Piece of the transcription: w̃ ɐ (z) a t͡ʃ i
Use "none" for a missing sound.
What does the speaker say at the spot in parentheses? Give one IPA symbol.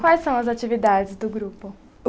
z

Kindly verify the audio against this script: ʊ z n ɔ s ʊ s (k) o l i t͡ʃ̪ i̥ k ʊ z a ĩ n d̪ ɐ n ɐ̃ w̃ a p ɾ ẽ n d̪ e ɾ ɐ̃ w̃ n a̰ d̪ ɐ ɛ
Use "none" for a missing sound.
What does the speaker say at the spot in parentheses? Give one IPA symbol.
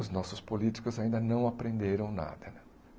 p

